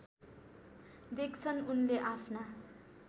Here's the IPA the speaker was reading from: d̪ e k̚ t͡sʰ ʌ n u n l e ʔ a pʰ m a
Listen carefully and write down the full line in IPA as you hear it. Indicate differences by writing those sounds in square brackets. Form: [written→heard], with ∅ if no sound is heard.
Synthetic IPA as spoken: d̪ e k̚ t͡sʰ ʌ n u n l e ʔ a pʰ [m→n] a